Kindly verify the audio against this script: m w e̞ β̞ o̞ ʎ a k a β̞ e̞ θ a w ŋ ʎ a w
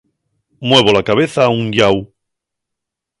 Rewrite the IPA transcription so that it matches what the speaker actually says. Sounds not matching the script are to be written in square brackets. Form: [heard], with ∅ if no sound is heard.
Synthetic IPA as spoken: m w e̞ β̞ o̞ [l] a k a β̞ e̞ θ a [u] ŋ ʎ a w